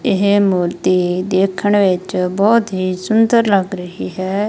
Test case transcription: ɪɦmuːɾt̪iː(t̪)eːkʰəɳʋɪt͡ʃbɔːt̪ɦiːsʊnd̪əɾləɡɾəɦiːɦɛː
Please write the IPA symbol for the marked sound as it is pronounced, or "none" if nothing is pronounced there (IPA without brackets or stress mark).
d̪